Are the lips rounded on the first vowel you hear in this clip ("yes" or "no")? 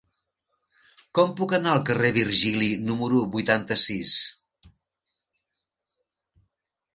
yes